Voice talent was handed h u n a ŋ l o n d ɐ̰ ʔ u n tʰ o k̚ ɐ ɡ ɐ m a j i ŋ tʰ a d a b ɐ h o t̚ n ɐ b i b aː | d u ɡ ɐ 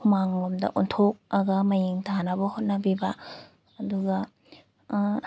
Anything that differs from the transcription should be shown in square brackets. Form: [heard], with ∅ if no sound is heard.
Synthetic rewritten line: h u [m] a ŋ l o [m] d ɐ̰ ʔ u n tʰ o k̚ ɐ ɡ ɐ m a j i ŋ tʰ a [n] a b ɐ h o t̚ n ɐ b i b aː | d u ɡ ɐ